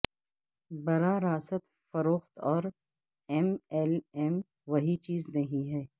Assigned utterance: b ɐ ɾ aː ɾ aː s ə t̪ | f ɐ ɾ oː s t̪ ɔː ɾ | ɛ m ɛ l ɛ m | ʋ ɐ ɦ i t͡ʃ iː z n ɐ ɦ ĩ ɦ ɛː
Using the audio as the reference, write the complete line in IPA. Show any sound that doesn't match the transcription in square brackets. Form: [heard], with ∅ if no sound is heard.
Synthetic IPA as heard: b ɐ ɾ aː ɾ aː s ə t̪ | f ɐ ɾ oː [x] t̪ ɔː ɾ | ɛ m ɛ l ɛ m | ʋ ɐ ɦ i t͡ʃ iː z n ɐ ɦ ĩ ɦ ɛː